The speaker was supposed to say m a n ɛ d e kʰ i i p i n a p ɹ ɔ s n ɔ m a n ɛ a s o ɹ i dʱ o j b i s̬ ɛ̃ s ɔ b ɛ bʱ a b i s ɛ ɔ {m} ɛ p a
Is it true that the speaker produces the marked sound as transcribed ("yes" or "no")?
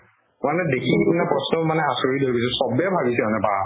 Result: no